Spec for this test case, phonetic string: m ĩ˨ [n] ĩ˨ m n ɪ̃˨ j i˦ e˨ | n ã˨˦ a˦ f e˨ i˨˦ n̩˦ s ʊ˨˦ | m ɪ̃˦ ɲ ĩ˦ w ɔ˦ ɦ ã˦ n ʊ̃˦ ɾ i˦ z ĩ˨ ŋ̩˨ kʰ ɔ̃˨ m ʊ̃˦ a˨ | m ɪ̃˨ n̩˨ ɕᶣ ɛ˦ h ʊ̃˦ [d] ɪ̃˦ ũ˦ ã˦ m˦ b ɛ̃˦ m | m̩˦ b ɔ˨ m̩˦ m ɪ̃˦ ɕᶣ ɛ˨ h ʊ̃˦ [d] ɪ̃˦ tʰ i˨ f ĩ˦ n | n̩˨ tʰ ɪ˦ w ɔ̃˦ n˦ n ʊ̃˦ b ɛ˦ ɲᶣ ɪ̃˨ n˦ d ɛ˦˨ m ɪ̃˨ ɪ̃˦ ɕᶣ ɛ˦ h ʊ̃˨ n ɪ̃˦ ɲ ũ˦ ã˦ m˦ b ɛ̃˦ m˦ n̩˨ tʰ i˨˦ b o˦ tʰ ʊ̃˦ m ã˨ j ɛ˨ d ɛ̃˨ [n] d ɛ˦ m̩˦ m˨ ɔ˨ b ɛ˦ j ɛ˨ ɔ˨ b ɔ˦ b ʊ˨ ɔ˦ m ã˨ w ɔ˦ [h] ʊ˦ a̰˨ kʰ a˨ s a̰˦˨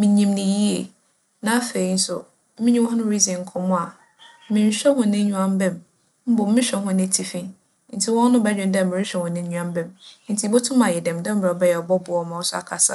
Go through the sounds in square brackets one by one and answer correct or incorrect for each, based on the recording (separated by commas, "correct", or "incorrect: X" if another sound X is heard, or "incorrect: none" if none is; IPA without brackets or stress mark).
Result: incorrect: ɲ, incorrect: n, incorrect: n, incorrect: m, incorrect: s